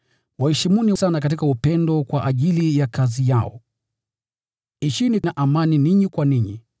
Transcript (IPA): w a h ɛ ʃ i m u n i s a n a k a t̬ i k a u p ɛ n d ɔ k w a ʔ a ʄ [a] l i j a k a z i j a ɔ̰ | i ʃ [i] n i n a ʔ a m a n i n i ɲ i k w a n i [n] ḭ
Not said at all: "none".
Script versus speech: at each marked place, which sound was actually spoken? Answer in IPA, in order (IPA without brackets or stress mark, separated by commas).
i, i, ɲ